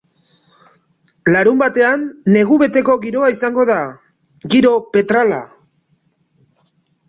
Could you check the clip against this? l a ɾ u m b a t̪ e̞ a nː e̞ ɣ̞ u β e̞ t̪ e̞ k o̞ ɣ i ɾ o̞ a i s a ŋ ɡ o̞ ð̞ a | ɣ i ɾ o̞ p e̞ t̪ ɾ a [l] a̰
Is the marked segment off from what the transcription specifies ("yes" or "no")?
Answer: no